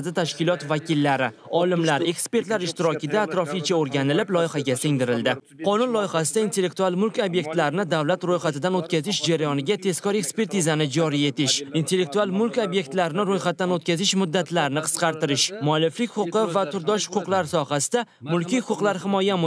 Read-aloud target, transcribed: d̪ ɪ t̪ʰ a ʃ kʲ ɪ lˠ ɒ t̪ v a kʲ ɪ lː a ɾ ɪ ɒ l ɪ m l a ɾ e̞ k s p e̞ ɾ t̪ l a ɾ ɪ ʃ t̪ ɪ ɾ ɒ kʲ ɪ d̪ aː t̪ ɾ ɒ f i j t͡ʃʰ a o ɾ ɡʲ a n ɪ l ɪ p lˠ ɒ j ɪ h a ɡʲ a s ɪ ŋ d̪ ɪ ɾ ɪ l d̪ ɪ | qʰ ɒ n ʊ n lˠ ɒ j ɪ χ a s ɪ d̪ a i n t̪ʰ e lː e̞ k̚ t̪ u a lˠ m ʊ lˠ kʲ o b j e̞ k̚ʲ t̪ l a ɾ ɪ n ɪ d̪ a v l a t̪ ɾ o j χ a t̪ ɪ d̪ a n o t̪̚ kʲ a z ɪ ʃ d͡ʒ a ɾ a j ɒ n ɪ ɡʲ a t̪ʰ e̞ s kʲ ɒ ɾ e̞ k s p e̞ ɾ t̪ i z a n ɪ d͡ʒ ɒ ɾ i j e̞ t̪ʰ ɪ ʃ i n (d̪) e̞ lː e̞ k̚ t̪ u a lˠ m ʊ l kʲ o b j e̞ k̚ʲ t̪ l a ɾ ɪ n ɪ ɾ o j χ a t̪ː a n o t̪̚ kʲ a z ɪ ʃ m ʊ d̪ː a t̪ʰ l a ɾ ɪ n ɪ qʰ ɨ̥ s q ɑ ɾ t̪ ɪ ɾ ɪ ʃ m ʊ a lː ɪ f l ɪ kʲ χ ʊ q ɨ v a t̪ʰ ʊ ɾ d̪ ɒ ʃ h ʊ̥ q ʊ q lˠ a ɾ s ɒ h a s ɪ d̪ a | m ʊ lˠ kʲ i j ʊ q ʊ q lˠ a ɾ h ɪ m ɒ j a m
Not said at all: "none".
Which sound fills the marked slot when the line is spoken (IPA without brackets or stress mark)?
t̪